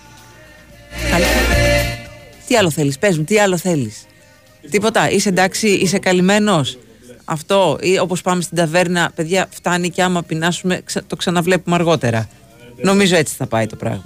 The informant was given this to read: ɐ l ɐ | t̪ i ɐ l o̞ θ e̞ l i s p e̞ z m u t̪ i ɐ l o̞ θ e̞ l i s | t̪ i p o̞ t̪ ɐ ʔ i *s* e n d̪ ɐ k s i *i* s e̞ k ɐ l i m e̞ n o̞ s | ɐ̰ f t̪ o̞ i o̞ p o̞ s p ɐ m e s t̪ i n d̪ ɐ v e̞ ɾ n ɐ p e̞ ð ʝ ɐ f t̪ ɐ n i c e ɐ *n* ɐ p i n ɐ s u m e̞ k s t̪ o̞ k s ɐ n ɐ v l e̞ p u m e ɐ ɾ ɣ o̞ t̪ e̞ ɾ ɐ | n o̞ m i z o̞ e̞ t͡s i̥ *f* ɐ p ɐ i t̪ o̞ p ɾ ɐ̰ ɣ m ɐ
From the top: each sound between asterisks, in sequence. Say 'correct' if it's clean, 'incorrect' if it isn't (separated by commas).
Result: correct, correct, incorrect, incorrect